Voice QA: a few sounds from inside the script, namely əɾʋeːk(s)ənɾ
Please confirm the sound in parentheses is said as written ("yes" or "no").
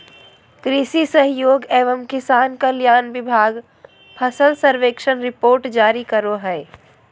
no